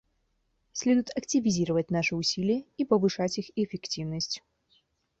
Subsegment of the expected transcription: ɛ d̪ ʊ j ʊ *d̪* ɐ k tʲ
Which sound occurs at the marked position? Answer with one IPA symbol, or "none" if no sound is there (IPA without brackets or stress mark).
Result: t̪